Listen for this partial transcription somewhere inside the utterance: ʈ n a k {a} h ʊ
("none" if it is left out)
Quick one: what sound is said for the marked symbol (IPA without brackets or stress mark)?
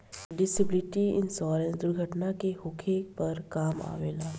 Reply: e